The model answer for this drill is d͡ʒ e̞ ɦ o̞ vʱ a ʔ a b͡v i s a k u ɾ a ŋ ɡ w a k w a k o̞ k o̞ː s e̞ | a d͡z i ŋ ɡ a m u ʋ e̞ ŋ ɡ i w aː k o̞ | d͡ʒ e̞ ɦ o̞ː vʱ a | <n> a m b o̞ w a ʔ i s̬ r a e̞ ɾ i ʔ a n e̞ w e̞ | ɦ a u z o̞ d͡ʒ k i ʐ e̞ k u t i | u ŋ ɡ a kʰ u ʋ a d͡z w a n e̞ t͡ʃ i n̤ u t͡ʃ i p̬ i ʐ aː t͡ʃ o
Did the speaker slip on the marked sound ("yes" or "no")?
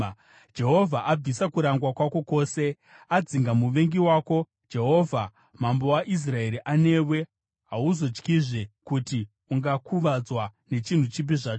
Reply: yes